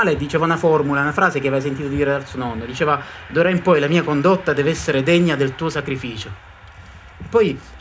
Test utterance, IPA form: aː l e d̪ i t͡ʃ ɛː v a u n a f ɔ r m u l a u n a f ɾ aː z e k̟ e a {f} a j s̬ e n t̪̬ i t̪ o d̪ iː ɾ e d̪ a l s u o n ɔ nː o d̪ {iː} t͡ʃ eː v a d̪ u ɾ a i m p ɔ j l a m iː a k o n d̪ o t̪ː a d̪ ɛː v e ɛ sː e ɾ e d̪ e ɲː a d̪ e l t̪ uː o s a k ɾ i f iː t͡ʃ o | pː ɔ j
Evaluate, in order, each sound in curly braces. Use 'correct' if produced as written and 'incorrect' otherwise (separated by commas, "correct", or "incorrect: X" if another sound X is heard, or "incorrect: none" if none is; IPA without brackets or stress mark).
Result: incorrect: v, incorrect: i